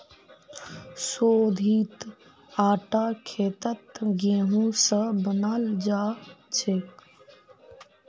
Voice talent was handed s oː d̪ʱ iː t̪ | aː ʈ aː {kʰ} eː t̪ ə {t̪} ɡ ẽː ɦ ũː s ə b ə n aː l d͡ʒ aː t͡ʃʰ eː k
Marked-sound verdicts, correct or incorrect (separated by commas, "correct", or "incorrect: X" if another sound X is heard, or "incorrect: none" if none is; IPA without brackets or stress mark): correct, correct